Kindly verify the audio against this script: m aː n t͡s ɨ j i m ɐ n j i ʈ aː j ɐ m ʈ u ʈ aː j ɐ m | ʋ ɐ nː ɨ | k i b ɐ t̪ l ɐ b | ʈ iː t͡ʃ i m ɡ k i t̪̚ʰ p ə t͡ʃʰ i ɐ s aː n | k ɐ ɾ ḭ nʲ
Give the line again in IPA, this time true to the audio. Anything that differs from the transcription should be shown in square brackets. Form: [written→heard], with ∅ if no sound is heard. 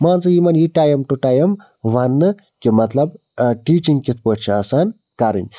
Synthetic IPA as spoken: m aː n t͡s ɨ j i m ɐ n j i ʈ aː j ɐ m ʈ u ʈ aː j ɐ m | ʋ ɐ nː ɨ | k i [b→m] ɐ t̪ l ɐ b | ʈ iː t͡ʃ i [m→ŋ] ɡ k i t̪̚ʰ p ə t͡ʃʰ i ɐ s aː n | k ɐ ɾ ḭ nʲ